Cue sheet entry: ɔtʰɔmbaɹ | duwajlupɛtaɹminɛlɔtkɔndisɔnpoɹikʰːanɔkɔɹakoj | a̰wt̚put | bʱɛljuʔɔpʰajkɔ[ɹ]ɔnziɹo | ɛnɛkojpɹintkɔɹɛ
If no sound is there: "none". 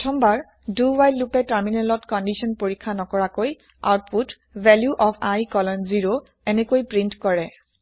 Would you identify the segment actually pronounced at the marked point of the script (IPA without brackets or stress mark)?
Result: l